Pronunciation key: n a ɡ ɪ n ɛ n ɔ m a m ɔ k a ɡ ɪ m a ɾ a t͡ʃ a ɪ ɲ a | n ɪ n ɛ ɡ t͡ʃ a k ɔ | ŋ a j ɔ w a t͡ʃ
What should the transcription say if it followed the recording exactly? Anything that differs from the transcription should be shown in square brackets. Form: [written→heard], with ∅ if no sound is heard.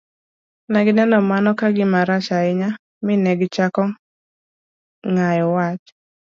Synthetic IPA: n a ɡ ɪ n ɛ n ɔ m a [m→n] ɔ k a ɡ ɪ m a ɾ a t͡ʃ a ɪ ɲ a | [n→m] ɪ n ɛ ɡ t͡ʃ a k ɔ | ŋ a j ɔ w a t͡ʃ

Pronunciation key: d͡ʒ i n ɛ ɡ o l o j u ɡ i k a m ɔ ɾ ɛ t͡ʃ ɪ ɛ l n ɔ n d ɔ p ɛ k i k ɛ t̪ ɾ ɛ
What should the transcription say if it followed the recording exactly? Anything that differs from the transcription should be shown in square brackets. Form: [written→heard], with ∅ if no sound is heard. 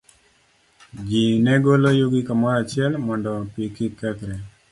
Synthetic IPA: d͡ʒ i n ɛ ɡ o l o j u ɡ i k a m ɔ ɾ [ɛ→a] t͡ʃ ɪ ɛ l [n→m] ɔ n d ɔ p [ɛ→i] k i k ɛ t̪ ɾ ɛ

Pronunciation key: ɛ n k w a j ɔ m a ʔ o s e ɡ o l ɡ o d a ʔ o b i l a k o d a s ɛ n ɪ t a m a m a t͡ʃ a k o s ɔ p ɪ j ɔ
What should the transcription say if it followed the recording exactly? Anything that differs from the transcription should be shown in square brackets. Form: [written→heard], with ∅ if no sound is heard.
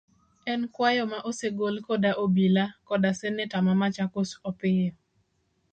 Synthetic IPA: ɛ n k w a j ɔ m a ʔ o s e ɡ o l [ɡ→k] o d a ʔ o b i l a k [o→ɔ] d a s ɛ n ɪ t a m a m a t͡ʃ a k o s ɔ p ɪ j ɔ

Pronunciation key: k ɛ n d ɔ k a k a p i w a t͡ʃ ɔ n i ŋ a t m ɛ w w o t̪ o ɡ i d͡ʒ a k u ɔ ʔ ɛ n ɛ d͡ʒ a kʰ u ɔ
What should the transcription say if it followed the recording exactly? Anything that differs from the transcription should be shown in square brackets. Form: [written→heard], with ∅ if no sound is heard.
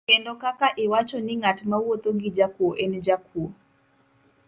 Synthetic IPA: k ɛ n d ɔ k a k a [p→ʔ] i w a t͡ʃ ɔ n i ŋ a t m [ɛ→a] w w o t̪ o ɡ i d͡ʒ a k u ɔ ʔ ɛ n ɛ d͡ʒ a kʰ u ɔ

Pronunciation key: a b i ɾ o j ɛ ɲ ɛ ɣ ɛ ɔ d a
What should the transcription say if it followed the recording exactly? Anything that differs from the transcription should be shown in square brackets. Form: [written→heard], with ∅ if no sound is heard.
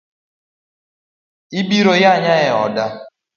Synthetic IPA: [a→i] b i ɾ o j [ɛ→a] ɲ [ɛ→a] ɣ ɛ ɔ d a

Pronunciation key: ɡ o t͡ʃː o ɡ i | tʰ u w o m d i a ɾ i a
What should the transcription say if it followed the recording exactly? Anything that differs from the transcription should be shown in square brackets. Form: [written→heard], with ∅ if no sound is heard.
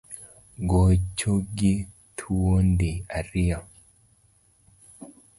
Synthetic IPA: ɡ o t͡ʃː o ɡ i | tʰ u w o [m→n] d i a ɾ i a

